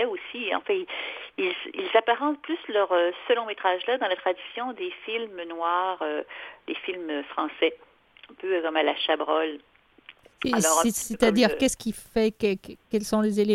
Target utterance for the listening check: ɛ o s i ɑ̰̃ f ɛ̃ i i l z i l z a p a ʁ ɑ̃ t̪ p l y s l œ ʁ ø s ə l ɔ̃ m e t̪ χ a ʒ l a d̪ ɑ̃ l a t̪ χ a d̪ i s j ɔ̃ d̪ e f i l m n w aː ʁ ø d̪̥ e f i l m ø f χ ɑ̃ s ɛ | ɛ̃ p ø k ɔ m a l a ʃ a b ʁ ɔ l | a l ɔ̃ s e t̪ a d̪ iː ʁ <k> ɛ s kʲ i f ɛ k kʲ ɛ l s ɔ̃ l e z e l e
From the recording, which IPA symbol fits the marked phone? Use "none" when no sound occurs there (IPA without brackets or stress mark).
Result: k